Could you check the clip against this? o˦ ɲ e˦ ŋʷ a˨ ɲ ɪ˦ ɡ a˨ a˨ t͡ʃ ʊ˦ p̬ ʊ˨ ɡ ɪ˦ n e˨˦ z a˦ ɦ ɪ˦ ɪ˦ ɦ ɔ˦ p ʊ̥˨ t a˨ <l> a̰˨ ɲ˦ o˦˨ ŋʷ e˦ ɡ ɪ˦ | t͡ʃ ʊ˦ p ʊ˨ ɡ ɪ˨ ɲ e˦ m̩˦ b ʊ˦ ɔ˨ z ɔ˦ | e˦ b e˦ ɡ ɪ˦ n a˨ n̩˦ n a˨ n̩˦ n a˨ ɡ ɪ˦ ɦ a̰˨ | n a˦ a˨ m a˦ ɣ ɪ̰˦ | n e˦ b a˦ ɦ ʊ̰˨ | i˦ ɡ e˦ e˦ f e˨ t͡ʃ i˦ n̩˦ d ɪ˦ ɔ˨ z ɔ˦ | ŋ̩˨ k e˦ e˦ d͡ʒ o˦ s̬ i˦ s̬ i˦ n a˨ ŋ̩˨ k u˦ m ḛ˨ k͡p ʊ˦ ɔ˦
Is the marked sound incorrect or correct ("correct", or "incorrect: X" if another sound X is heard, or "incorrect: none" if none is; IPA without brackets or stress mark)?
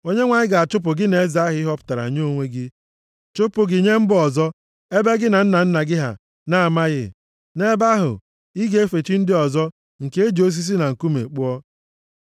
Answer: incorrect: ɾ